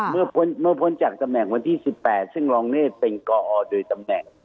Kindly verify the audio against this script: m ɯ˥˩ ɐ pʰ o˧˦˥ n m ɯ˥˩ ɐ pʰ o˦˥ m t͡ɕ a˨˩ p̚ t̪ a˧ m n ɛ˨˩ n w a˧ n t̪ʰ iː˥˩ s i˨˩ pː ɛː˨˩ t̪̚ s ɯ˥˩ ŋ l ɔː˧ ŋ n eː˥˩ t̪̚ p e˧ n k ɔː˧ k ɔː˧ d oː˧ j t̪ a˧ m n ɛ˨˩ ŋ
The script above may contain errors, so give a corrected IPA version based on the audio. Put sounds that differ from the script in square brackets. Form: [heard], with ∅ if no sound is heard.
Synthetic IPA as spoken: m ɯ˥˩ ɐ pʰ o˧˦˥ n m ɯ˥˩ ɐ pʰ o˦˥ [n] t͡ɕ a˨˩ [k̚] t̪ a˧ m n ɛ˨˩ [ŋ] w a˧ n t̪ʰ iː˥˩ s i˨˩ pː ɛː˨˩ t̪̚ s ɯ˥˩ ŋ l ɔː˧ ŋ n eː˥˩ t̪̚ p e˧ n k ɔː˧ [ʔ] ɔː˧ d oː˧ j t̪ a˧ m n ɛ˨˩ ŋ